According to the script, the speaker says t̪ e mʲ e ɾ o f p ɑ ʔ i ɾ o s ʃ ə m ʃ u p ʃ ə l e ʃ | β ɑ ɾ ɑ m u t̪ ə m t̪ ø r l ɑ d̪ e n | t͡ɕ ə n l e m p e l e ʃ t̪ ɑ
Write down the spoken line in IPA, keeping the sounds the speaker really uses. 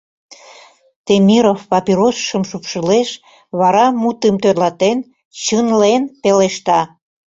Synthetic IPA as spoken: t̪ e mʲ i ɾ o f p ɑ p i ɾ o s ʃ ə m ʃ u p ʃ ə l e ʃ | β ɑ ɾ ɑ m u t̪ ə m t̪ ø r l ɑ t̪ e n | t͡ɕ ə n l e n p e l e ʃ t̪ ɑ